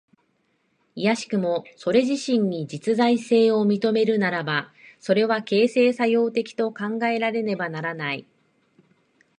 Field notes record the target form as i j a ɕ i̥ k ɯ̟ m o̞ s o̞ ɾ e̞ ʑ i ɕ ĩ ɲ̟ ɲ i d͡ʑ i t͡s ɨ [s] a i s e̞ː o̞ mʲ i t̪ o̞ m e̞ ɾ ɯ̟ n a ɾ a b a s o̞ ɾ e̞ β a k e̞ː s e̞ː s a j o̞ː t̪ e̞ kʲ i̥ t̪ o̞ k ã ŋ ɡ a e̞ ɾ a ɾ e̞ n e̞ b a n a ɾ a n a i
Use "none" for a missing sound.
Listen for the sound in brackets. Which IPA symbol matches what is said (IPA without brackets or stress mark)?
z